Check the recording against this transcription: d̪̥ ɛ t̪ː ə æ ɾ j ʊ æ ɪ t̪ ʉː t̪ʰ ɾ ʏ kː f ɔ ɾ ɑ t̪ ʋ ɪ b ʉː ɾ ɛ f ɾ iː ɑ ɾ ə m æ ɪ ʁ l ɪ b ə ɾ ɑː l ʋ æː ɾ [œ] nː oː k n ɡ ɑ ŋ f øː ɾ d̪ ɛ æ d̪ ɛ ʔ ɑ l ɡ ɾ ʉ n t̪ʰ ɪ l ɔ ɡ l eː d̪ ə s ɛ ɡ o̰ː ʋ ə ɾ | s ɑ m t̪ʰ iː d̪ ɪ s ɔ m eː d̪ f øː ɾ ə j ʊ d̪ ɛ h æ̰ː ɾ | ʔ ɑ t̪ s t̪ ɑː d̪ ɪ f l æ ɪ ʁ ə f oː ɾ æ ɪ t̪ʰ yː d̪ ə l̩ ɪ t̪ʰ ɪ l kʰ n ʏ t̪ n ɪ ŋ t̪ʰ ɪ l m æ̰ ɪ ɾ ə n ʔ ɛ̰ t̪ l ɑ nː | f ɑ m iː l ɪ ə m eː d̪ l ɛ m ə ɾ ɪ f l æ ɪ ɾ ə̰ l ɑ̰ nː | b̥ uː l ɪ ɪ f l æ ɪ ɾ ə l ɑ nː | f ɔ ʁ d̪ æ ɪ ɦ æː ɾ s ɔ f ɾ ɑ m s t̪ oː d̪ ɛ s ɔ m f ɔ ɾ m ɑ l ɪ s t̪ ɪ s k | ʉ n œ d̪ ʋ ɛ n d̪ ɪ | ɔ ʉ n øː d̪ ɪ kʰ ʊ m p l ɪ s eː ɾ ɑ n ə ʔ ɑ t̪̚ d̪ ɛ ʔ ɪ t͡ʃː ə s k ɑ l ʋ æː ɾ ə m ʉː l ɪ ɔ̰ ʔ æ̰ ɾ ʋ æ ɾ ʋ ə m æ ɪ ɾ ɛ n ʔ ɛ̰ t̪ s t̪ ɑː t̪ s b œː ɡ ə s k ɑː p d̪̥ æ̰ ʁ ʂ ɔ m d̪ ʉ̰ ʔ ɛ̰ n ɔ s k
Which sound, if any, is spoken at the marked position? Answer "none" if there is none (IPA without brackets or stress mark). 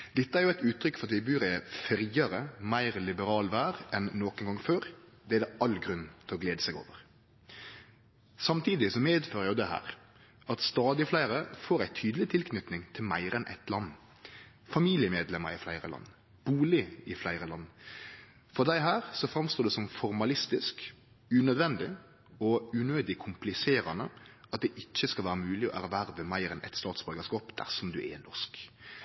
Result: ɛ